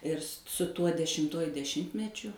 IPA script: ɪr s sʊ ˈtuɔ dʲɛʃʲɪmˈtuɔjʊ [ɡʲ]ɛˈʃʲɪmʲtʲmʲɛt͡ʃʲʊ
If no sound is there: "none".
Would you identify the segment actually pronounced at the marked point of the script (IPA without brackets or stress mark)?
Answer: dʲ